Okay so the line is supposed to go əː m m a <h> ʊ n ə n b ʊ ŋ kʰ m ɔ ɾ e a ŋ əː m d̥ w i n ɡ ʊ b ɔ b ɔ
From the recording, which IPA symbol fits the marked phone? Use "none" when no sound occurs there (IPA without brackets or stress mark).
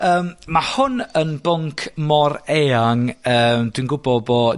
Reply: h